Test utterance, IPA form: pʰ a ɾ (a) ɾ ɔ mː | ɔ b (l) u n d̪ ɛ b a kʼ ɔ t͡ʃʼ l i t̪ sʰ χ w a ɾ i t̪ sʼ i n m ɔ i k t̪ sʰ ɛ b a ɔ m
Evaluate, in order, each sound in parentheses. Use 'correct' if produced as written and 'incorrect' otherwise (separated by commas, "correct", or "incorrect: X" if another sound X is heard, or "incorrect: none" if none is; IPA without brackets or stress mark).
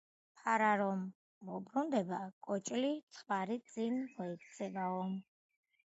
correct, incorrect: ɾ